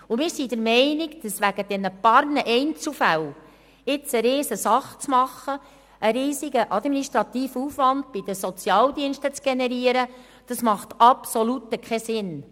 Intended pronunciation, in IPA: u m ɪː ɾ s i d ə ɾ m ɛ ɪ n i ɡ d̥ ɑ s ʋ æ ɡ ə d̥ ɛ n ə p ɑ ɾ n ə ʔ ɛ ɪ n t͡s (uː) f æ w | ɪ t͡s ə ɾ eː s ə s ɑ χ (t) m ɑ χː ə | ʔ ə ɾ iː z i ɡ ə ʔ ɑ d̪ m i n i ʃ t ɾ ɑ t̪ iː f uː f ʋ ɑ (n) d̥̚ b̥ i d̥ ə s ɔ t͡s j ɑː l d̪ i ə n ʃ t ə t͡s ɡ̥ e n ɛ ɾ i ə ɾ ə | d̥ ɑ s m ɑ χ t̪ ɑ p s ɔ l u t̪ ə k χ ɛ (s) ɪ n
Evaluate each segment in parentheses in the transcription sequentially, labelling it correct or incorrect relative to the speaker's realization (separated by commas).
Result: incorrect, incorrect, correct, correct